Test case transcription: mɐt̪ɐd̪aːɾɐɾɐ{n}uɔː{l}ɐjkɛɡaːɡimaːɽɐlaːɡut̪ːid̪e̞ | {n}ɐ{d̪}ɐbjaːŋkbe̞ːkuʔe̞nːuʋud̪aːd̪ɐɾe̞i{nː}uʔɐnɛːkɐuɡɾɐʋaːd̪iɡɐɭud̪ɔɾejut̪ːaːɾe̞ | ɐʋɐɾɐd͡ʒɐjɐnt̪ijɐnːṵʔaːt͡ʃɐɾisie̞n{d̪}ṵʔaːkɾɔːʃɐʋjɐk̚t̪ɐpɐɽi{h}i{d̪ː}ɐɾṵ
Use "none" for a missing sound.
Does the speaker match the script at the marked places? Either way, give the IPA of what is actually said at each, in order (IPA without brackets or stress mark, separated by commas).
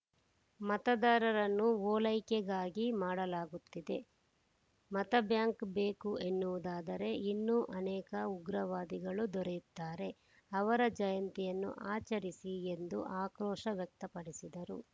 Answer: nː, l, m, t̪, nː, d̪, s, d̪